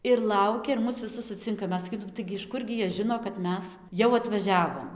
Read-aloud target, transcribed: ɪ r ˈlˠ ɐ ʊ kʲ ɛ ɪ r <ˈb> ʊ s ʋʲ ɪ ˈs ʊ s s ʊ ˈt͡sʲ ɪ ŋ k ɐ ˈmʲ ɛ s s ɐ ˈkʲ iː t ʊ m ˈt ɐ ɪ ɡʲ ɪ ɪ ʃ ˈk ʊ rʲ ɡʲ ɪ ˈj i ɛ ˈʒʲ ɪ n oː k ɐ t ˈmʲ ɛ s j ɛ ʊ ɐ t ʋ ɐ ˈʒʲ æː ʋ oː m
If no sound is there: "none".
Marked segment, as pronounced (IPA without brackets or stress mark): m